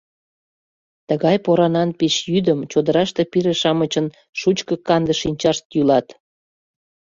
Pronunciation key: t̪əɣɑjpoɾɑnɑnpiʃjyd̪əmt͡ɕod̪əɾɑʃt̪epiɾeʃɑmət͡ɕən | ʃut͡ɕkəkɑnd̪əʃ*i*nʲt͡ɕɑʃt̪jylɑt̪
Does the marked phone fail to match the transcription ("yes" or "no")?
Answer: no